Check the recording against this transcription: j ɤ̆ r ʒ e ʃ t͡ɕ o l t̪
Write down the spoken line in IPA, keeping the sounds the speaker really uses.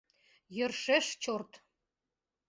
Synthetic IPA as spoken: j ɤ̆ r ʃ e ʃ t͡ɕ o r t̪